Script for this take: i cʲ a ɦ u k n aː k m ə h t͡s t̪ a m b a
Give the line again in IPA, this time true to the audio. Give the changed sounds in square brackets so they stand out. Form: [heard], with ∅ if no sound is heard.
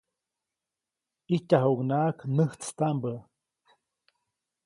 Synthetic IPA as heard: i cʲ a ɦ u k n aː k [n] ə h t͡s t̪ a m b [ə]